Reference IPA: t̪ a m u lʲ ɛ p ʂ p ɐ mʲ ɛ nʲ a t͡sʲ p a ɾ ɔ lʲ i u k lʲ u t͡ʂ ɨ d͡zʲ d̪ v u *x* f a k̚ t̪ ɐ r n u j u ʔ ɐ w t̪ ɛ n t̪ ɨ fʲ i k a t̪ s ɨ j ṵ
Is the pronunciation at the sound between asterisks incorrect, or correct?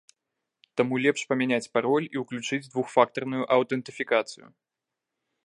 correct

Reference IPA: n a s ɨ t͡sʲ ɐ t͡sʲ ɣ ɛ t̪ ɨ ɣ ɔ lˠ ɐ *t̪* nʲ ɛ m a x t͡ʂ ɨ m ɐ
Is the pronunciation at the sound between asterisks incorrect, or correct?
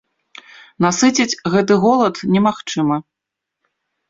correct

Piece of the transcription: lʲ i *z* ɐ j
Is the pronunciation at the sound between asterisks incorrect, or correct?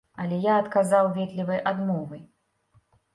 incorrect: v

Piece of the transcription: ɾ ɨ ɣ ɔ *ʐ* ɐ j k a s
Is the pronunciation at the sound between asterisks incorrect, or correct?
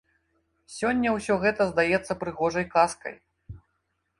correct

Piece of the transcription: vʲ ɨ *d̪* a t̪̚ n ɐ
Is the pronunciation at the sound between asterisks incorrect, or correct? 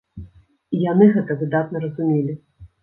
correct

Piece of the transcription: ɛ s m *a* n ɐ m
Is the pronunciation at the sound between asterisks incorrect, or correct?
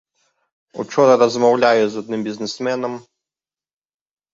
incorrect: ɛ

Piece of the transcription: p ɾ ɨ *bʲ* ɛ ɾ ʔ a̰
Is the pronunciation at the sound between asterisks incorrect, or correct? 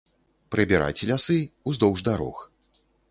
correct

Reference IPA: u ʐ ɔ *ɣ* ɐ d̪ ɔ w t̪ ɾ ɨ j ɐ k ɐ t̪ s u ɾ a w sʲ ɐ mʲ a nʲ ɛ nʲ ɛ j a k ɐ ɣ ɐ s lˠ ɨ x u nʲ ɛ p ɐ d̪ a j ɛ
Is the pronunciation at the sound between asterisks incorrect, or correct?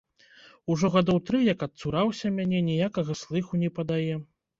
correct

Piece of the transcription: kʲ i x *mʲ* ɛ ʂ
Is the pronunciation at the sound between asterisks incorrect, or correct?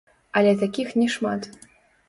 incorrect: nʲ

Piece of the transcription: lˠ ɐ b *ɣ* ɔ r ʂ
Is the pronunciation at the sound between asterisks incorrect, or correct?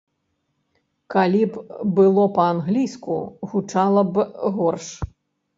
correct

